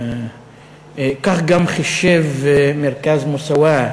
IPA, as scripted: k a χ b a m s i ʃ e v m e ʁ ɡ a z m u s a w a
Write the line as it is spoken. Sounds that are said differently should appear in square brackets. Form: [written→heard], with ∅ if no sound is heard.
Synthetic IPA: k a χ [b→ɡ] a m [s→χ] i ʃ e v m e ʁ [ɡ→k] a z m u s a w a

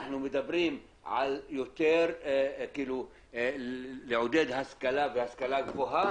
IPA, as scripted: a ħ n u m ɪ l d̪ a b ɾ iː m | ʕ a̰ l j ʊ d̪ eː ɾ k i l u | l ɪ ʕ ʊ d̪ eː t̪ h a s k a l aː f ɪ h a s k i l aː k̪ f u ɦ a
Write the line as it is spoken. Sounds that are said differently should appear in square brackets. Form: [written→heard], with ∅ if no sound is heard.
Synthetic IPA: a ħ n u m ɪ [l→∅] d̪ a b ɾ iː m | ʕ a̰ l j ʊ [d̪→t̪] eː ɾ k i l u | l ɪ ʕ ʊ d̪ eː [t̪→d̪] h a s k a l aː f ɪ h a s k [i→a] l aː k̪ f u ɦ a

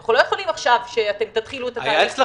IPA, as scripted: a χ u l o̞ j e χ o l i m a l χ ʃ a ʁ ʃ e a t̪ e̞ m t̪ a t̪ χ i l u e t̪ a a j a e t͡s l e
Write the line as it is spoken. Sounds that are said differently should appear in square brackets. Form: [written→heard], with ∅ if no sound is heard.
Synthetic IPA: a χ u l o̞ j e χ o l i m a [l→∅] χ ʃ a [ʁ→v] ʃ e a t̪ e̞ m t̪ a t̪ χ i l u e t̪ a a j a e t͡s l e

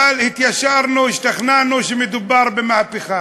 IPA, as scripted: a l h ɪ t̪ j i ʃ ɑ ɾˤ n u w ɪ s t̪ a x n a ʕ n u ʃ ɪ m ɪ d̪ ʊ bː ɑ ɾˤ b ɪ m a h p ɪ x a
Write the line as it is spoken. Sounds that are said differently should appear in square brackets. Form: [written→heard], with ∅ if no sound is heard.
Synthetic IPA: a l h ɪ t̪ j [i→a] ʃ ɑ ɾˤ n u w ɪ [s→ʃ] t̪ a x n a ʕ n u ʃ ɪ m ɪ d̪ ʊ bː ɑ ɾˤ b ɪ m a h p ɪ x a

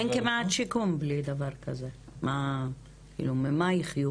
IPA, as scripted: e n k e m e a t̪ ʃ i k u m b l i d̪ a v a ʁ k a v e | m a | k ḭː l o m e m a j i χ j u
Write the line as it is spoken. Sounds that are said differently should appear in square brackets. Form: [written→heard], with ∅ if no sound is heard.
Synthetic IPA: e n k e m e a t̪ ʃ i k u m b l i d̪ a v a ʁ k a [v→z] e | m a | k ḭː l [o→u] m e m a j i χ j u

